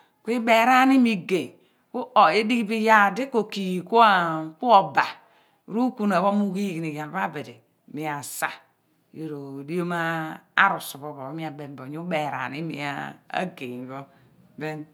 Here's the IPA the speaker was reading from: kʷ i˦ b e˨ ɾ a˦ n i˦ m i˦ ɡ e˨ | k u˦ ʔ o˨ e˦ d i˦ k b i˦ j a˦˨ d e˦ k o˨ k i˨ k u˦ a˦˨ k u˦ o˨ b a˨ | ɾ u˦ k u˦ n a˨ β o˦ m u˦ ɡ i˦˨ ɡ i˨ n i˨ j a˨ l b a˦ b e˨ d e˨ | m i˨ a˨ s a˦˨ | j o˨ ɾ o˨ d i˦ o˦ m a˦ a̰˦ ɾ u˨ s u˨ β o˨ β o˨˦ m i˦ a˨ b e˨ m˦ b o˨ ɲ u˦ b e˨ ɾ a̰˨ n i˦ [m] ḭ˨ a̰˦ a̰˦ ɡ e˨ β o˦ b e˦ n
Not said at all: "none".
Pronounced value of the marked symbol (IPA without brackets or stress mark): m